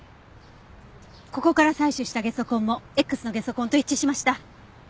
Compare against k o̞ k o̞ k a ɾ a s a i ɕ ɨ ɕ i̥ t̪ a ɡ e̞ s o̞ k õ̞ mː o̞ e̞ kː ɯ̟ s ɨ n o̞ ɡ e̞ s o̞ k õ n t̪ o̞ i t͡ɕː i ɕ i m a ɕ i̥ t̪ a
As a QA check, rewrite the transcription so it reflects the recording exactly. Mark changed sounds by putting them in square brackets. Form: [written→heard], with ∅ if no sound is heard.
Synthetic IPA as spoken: k o̞ k o̞ k a ɾ a s a i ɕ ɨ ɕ i̥ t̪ a ɡ e̞ s o̞ k õ̞ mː o̞ e̞ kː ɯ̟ s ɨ n o̞ ɡ e̞ s o̞ k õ n t̪ o̞ i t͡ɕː i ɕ i m a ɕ i̥ t̪ a

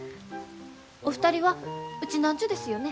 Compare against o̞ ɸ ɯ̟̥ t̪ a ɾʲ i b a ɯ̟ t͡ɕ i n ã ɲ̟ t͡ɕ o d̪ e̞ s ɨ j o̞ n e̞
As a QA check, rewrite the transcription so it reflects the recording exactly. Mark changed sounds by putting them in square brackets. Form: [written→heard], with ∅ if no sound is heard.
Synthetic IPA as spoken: o̞ ɸ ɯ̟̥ t̪ a ɾʲ i [b→β] a ɯ̟ t͡ɕ i n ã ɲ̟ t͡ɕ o d̪ e̞ s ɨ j o̞ n e̞

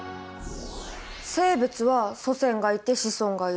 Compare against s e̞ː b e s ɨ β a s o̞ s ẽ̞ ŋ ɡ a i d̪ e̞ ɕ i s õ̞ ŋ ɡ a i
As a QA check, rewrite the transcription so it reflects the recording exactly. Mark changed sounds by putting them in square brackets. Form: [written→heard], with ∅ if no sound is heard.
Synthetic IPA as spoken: s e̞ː b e [s→t͡s] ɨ β a s o̞ s ẽ̞ ŋ ɡ a i [d̪→t̪] e̞ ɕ i s õ̞ ŋ ɡ a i

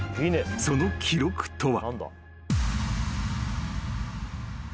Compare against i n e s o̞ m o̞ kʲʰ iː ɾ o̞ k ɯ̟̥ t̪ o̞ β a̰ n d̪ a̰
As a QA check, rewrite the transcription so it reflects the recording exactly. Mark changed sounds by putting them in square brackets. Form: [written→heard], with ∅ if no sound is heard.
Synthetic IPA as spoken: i n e s o̞ [m→n] o̞ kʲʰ [iː→i] ɾ o̞ k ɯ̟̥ t̪ o̞ β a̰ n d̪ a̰

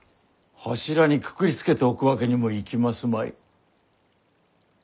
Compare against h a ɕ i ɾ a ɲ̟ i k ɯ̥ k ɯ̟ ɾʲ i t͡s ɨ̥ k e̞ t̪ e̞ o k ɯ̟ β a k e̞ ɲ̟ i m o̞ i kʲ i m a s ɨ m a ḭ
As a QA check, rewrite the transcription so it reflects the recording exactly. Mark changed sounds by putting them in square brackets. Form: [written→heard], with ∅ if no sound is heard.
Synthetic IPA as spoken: h a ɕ i ɾ a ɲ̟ i k ɯ̥ k ɯ̟ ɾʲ i t͡s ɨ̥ k e̞ t̪ e̞ o k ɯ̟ β a k e̞ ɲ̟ i m o̞ i kʲ i m a s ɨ m a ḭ

